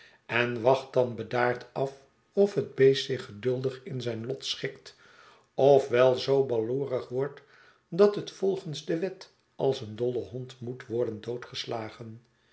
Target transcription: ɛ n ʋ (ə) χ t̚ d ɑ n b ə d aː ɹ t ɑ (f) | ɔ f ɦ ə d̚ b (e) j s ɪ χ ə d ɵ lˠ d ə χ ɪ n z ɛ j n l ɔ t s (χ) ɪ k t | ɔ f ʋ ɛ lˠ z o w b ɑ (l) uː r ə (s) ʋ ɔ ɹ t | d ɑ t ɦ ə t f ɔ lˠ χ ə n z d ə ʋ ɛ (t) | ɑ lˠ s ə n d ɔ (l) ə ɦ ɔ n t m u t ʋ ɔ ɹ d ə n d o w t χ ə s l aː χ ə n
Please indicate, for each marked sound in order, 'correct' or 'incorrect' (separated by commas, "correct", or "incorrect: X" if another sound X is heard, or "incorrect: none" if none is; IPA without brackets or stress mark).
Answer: incorrect: ɑ, correct, correct, correct, correct, incorrect: χ, correct, correct